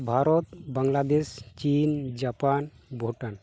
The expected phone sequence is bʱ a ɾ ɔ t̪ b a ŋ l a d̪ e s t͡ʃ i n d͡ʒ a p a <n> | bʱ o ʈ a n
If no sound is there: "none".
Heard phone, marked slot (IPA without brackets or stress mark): n